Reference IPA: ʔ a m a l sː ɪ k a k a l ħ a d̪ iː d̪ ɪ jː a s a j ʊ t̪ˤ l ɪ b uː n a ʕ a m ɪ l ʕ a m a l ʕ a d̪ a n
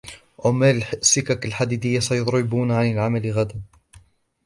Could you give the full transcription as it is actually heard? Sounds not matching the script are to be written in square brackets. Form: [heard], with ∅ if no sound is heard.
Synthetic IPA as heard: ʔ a m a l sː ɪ k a k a l ħ a d̪ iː d̪ ɪ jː a s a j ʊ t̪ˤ [ɾ] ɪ b uː n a ʕ a [n] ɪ l ʕ a m a l [ɣ] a d̪ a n